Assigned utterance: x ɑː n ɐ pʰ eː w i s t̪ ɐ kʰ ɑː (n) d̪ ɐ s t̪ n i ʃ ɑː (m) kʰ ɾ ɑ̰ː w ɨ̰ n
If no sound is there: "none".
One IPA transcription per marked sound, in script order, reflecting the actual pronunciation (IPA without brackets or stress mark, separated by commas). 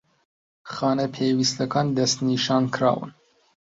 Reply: n, n